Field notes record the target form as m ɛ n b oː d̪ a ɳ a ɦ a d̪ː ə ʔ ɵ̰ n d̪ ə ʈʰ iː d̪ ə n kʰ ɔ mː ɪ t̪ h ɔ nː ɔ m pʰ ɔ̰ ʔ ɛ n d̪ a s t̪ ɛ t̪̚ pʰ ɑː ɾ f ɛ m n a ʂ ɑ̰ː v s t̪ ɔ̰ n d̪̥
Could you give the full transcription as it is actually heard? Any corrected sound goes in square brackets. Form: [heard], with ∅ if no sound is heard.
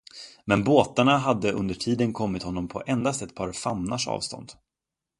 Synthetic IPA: m ɛ n b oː [t̪] a ɳ a ɦ a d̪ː ə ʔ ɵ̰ n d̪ ə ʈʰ iː d̪ ə n kʰ ɔ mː ɪ t̪ h ɔ nː ɔ m pʰ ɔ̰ ʔ ɛ n d̪ a s t̪ ɛ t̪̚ pʰ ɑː ɾ f [a] m n a ʂ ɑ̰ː v s t̪ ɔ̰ n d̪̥